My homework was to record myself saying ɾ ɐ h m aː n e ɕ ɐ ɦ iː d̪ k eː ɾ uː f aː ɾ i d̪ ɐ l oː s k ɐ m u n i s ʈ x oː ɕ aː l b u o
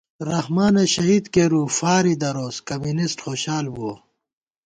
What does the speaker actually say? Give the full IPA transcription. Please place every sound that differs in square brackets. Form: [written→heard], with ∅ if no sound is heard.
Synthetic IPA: ɾ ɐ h m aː n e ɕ ɐ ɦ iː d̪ k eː ɾ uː f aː ɾ i d̪ ɐ [l→ɾ] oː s k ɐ m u n i s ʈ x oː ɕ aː l b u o